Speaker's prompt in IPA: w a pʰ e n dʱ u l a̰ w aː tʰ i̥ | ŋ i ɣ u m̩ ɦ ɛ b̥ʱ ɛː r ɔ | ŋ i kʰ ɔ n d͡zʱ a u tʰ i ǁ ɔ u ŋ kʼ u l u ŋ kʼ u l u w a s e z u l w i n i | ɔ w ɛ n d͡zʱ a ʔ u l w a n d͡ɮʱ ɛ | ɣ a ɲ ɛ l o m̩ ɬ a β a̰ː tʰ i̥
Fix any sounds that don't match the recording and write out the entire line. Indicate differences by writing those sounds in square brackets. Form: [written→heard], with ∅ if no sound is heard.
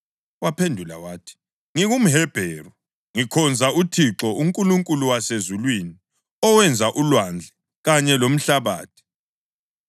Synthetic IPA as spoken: w a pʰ e n dʱ u l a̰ w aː tʰ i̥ | ŋ i ɣ u m̩ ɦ ɛ b̥ʱ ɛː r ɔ | ŋ i kʰ ɔ n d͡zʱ a u tʰ i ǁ ɔ u ŋ kʼ u l u ŋ kʼ u l u w a s e z u l w i n i | ɔ w ɛ n d͡zʱ a ʔ u l w a n d͡ɮʱ ɛ | ɣ a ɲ ɛ l o m̩ ɬ a β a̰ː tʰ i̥